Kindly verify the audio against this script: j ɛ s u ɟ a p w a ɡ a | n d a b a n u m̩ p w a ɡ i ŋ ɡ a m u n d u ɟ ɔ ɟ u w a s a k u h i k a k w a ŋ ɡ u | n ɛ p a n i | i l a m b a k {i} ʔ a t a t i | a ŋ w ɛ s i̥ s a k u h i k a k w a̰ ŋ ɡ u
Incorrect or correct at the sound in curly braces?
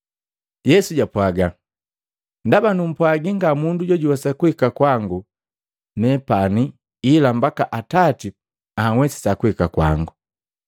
incorrect: a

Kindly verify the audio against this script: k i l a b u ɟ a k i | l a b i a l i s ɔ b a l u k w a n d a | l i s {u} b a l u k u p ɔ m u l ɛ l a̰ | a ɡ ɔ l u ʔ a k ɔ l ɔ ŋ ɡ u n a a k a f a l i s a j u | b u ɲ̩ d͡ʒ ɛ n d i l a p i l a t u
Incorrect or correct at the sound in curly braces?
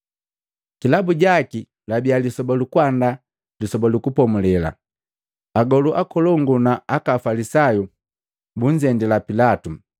incorrect: ɔ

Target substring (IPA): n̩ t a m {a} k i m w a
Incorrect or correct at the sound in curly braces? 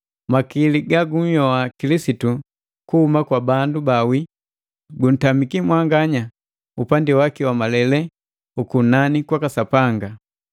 incorrect: i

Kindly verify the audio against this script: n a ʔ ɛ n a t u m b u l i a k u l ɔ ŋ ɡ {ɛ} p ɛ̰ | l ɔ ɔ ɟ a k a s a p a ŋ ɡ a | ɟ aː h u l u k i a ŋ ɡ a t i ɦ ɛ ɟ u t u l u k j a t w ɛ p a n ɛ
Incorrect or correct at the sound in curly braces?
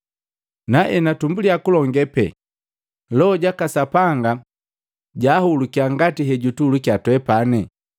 correct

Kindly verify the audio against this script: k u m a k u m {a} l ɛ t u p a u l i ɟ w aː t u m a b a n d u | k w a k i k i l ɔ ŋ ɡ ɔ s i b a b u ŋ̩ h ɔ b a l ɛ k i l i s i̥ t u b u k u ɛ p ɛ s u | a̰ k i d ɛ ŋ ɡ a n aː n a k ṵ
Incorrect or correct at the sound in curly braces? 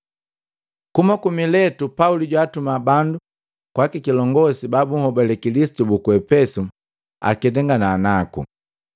incorrect: i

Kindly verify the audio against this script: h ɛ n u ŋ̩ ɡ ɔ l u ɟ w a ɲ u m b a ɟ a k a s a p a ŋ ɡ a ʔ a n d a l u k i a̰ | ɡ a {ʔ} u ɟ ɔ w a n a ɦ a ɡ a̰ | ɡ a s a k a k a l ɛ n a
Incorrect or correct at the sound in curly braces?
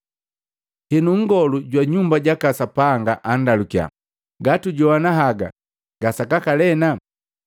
incorrect: t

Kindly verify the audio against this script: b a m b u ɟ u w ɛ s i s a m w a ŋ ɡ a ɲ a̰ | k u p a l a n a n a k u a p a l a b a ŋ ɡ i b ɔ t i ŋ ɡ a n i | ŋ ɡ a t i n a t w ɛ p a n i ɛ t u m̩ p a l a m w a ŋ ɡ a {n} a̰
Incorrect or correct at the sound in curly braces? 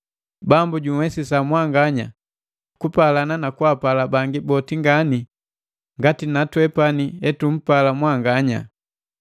incorrect: ɲ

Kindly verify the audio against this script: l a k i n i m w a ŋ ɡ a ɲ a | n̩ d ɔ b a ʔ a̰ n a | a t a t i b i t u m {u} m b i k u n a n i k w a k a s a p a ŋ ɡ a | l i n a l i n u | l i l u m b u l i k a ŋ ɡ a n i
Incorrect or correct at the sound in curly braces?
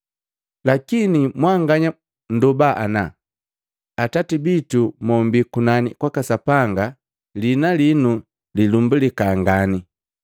incorrect: ɔ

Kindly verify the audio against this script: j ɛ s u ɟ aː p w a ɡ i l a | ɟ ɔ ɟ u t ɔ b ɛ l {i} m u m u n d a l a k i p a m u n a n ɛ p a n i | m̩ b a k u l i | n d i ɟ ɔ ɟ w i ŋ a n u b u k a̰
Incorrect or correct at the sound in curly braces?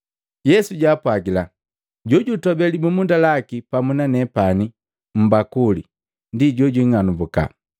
correct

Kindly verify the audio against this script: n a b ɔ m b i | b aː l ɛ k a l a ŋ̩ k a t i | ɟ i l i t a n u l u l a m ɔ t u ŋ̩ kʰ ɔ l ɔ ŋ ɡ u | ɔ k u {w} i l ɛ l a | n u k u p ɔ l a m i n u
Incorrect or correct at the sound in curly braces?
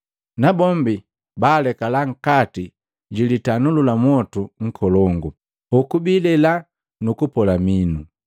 incorrect: b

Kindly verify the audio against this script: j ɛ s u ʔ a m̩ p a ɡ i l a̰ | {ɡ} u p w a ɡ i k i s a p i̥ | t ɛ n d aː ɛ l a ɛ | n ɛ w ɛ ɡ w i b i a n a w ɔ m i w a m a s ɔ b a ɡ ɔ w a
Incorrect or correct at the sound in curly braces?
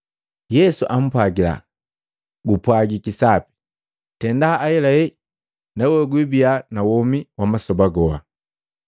correct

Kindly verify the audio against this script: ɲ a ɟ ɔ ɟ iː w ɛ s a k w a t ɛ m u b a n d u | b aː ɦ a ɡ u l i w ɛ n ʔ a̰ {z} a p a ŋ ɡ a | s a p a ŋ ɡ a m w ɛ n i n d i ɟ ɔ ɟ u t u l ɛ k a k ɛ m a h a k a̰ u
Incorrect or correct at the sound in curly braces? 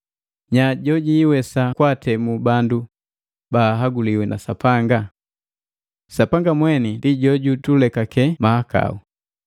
incorrect: s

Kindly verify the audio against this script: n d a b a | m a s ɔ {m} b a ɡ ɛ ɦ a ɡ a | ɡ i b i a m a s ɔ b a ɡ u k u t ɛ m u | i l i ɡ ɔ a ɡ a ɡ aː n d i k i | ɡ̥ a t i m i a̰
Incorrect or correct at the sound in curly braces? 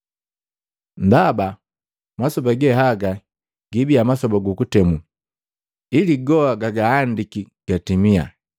incorrect: none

